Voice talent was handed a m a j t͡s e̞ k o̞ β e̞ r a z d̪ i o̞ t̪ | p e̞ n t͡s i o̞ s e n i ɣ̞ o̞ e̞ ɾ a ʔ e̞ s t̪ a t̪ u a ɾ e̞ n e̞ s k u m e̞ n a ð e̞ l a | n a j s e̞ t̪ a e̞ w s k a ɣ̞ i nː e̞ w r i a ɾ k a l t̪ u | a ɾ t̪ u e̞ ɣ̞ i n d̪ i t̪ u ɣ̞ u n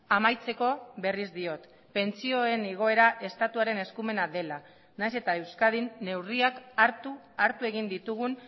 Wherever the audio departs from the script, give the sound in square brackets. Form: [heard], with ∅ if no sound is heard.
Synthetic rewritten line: a m a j t͡s e̞ k o̞ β e̞ r [i] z d̪ i o̞ t̪ | p e̞ n t͡s i o̞ [∅] e n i ɣ̞ o̞ e̞ ɾ a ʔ e̞ s t̪ a t̪ u a ɾ e̞ n e̞ s k u m e̞ n a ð e̞ l a | n a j s e̞ t̪ a e̞ w s k a [ð̞] i nː e̞ w r i a [∅] k a [ɾ] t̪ u | a ɾ t̪ u e̞ ɣ̞ i n d̪ i t̪ u ɣ̞ u n